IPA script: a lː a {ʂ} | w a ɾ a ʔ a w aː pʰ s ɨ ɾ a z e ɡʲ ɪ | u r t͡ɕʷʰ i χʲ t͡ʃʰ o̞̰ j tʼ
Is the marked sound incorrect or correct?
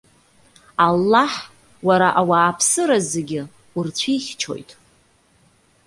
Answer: incorrect: ħ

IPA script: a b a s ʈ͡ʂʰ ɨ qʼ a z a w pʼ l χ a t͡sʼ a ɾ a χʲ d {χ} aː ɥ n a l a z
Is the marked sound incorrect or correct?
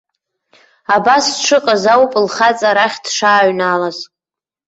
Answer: incorrect: ʂ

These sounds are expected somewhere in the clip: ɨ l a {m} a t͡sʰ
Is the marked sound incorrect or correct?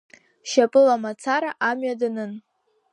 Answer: correct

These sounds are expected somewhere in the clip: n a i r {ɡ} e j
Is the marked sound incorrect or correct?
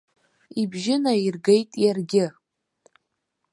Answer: correct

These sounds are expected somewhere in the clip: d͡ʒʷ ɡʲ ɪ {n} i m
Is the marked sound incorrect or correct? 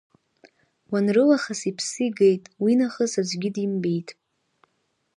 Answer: incorrect: d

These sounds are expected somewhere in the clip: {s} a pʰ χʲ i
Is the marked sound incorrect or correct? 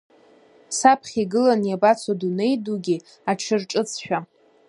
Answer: correct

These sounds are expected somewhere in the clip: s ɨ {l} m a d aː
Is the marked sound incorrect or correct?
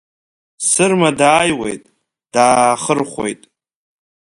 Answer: incorrect: r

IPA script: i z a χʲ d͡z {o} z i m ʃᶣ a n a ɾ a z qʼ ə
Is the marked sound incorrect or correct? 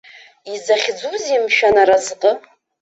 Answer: incorrect: u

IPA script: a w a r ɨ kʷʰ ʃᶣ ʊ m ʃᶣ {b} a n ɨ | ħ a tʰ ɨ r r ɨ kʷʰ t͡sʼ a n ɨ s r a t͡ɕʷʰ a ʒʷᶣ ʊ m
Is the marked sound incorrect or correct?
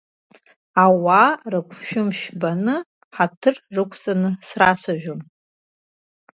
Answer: correct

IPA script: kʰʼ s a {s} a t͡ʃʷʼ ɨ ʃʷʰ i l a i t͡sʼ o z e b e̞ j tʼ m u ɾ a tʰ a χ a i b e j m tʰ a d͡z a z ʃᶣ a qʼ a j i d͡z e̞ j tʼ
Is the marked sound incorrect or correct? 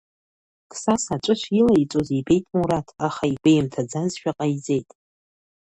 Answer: correct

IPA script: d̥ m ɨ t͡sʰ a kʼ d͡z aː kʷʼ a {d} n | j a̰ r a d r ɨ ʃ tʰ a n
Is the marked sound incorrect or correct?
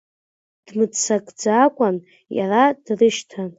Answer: incorrect: none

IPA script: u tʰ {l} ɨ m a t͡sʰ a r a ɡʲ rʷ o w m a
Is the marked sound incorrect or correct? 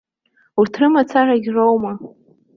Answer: incorrect: r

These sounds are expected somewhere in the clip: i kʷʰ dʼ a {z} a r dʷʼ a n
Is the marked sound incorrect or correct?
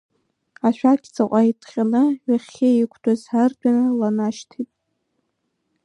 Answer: correct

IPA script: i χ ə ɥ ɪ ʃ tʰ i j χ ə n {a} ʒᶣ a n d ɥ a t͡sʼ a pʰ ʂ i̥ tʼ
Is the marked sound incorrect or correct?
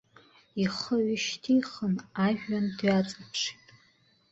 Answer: correct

